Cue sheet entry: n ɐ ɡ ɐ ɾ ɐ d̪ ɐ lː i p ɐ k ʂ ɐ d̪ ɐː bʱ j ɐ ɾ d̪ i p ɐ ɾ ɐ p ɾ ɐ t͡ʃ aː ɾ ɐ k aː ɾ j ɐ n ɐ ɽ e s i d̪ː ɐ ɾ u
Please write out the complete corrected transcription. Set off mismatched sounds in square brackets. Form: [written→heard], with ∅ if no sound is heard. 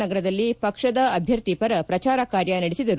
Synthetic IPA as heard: n ɐ ɡ ɐ ɾ ɐ d̪ ɐ lː i p ɐ k ʂ ɐ d̪ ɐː bʱ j ɐ ɾ [d̪→t̪] i p ɐ ɾ ɐ p ɾ ɐ t͡ʃ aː ɾ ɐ k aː ɾ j ɐ n ɐ ɽ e s i [d̪ː→d̪] ɐ ɾ u